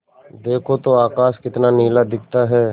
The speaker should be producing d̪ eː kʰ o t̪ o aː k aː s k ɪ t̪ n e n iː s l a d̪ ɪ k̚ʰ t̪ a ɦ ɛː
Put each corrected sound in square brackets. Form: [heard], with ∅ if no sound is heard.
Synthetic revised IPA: d̪ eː kʰ o t̪ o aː k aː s k ɪ t̪ n [a] n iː [∅] l a d̪ ɪ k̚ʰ t̪ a ɦ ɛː